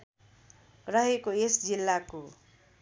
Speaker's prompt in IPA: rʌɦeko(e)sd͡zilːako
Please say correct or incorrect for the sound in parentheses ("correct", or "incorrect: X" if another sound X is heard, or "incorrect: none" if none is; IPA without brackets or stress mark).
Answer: correct